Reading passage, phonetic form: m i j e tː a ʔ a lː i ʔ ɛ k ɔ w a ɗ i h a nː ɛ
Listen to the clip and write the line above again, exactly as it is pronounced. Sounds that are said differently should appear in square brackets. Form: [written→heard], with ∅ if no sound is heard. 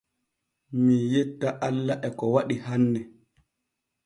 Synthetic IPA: m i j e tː a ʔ a lː [i→a] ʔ ɛ k ɔ w a ɗ i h a nː ɛ